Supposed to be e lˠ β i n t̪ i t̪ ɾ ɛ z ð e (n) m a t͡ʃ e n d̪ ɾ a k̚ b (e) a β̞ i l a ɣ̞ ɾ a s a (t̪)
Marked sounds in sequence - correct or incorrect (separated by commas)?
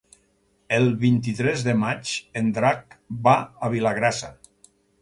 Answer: incorrect, incorrect, incorrect